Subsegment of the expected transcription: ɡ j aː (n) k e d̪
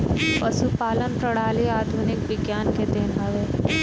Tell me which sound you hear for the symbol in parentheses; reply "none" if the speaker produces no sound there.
n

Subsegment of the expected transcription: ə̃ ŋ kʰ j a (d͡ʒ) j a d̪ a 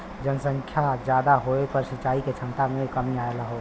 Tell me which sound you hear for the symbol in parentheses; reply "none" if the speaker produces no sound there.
d͡ʒ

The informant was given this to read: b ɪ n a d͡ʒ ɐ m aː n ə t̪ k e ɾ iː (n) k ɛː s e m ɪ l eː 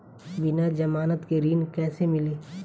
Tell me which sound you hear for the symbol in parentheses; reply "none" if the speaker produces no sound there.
n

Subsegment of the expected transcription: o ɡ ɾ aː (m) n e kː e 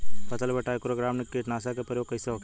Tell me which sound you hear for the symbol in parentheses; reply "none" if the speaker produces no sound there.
m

